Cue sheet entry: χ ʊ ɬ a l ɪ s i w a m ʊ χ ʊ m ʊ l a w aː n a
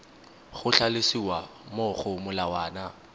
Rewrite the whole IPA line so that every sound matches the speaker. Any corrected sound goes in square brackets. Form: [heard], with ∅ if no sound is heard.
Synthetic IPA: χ ʊ ɬ a l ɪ s i w a m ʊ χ ʊ m ʊ l a w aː n a